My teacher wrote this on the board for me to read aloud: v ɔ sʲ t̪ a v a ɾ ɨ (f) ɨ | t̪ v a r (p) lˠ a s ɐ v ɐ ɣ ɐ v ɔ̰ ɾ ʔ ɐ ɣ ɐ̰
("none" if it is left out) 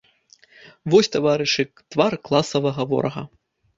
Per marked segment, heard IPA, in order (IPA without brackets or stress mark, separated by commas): ʂ, k